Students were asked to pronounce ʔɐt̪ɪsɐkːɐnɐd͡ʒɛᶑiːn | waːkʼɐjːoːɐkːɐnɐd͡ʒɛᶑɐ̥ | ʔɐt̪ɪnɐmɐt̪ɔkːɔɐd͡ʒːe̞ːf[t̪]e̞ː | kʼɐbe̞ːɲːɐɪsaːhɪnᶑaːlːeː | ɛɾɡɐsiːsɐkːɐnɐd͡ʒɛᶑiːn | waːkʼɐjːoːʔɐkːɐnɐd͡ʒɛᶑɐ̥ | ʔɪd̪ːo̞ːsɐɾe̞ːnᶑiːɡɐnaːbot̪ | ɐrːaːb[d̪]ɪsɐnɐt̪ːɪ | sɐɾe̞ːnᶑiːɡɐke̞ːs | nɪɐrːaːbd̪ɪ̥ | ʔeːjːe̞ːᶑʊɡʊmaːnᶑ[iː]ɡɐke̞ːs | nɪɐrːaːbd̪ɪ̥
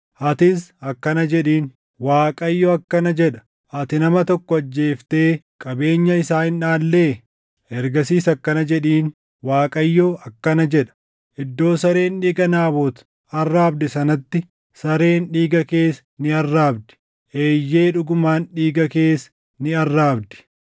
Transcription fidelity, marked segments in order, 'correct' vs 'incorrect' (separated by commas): correct, correct, correct